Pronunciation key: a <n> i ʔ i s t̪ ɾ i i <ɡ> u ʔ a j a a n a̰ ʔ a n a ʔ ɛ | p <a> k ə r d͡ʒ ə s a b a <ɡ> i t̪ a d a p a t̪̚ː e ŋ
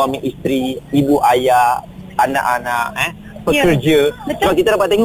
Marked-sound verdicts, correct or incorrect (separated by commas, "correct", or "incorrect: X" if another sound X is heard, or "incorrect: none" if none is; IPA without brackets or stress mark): incorrect: m, incorrect: b, incorrect: ə, incorrect: k